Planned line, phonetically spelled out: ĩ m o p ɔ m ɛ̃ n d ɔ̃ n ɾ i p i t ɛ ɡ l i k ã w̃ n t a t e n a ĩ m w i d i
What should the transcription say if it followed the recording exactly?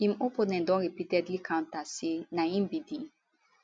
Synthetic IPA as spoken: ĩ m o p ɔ n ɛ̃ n d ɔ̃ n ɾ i p i t ɛ d l i k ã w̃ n t a s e n a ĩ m b i d i